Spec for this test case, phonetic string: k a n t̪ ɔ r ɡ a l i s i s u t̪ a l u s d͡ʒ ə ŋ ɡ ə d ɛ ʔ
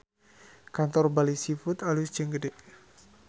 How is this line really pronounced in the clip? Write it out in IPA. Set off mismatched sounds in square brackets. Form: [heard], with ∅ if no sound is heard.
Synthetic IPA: k a n t̪ ɔ r [b] a l i s i [f] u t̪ a l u s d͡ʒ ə ŋ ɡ ə d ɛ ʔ